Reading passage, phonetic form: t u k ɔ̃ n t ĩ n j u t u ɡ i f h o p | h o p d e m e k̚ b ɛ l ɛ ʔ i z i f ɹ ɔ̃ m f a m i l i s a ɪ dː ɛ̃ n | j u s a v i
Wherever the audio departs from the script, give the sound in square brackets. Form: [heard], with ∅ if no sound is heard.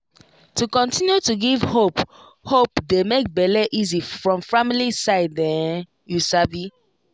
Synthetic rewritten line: t u k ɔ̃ n t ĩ n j u t u ɡ i [v] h o p | h o p d e m e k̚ b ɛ l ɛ ʔ i z i f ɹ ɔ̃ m f a m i l i s a ɪ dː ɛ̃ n | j u s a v i